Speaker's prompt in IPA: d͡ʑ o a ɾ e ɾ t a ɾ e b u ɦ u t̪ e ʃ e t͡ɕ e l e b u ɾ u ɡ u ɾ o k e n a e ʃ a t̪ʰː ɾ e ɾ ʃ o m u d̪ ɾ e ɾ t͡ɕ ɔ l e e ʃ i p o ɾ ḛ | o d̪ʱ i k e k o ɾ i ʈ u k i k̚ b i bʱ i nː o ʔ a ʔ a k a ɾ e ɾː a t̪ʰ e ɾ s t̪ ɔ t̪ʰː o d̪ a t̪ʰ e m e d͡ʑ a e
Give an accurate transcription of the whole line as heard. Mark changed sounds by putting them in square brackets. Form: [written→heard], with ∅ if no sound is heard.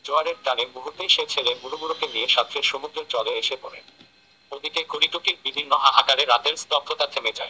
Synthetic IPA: d͡ʑ o a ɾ e ɾ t a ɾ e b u ɦ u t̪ e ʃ e [t͡ɕ→t͡ɕʰ] e l e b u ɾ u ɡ u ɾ o k e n [a→i] e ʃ a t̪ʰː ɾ e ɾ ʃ o m u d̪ ɾ e ɾ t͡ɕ ɔ l e e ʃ [i→e] p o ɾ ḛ | o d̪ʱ i k e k o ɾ i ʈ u k i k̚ b i bʱ i nː o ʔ a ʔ a k a ɾ e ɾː a [t̪ʰ→t̪] e ɾ s t̪ ɔ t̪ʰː o [d̪→t̪] a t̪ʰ e m e d͡ʑ a e

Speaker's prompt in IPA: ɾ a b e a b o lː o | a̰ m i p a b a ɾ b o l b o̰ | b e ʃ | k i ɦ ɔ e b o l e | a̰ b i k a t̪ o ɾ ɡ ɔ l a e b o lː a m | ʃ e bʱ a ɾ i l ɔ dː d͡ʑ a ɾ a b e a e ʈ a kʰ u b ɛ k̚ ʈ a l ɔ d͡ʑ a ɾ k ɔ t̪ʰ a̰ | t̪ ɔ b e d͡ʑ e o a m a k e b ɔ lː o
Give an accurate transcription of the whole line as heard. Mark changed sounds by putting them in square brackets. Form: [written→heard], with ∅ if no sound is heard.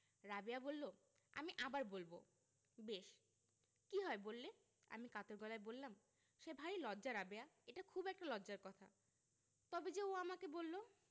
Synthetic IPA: ɾ a b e a b o lː o | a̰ m i [p→ʔ] a b a ɾ b o l b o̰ | b e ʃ | k i ɦ ɔ e b o [l→lː] e | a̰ [b→m] i k a t̪ o ɾ ɡ ɔ l a e b o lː a m | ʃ e bʱ a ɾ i l ɔ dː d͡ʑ a ɾ a b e a e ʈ a kʰ u b ɛ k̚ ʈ a l ɔ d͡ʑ a ɾ k ɔ t̪ʰ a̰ | t̪ ɔ b e d͡ʑ e o a m a k e b [ɔ→o] lː o

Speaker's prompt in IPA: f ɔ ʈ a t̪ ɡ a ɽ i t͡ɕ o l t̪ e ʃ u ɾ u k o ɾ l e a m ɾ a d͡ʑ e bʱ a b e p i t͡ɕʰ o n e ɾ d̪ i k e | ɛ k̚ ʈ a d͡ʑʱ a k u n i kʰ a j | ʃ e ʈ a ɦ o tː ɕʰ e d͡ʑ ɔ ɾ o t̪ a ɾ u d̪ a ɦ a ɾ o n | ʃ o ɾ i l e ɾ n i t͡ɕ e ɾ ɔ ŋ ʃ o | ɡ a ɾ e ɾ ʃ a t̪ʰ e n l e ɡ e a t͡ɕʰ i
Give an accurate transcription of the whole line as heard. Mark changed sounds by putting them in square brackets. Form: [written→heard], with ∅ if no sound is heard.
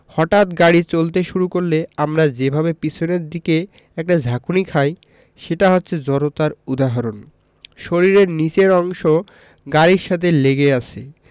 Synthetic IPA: [f→h] ɔ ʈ a t̪ ɡ a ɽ i t͡ɕ o l t̪ e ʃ u ɾ u k o ɾ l e a m ɾ a d͡ʑ e bʱ a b e p i t͡ɕʰ o n e ɾ d̪ i k e | ɛ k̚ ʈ a d͡ʑʱ a k u n i kʰ a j | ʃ e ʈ a ɦ o tː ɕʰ e d͡ʑ ɔ ɾ o t̪ a ɾ u d̪ a ɦ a ɾ o n | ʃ o ɾ i [l→ɾ] e ɾ n i t͡ɕ e ɾ ɔ ŋ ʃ o | ɡ a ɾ [e→i] ɾ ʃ a t̪ʰ e [n→∅] l e ɡ e a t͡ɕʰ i

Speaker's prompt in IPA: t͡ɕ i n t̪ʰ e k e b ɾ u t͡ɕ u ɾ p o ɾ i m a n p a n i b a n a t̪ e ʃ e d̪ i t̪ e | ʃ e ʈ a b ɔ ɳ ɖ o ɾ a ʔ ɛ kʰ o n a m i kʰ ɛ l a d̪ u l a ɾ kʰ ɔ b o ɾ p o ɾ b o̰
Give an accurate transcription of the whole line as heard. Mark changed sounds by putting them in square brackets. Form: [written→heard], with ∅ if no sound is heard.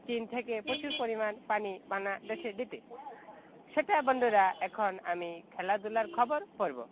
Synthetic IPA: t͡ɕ i n t̪ʰ e k e [b→p] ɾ [u→o] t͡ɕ u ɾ p o ɾ i m a n p a n i b a n a [t̪→d̪] e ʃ e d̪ i t̪ e | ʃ e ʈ a b ɔ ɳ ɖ o ɾ a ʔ ɛ kʰ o n a m i kʰ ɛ l a d̪ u l a ɾ kʰ ɔ b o ɾ p o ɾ b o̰

